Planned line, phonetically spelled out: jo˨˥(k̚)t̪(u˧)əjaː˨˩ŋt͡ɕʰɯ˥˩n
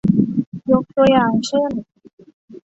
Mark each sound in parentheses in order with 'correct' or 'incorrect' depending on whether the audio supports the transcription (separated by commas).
correct, correct